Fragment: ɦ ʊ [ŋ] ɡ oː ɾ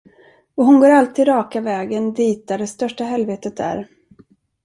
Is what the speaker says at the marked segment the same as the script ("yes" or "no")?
no